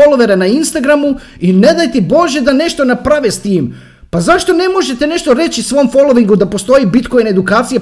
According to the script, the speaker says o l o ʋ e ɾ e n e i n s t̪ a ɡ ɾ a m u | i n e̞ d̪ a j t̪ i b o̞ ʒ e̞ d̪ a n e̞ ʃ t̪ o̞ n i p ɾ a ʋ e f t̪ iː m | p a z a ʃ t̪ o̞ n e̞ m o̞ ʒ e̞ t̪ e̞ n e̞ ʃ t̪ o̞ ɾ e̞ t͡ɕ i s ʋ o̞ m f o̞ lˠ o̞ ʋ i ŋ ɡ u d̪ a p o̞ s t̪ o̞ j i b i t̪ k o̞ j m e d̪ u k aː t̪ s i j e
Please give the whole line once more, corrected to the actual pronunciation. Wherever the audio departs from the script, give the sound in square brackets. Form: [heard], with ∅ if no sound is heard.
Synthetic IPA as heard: o l o ʋ e ɾ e n [a] i n s t̪ a ɡ ɾ a m u | i n e̞ d̪ a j t̪ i b o̞ ʒ e̞ d̪ a n e̞ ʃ t̪ o̞ n [a] p ɾ a ʋ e [s] t̪ iː m | p a z a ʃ t̪ o̞ n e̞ m o̞ ʒ e̞ t̪ e̞ n e̞ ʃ t̪ o̞ ɾ e̞ t͡ɕ i s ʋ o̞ m f o̞ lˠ o̞ ʋ i ŋ ɡ u d̪ a p o̞ s t̪ o̞ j i b i t̪ k o̞ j [n] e d̪ u k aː t̪ s i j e